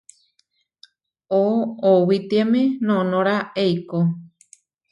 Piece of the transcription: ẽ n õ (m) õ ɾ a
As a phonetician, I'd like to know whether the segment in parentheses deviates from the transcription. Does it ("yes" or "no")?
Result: yes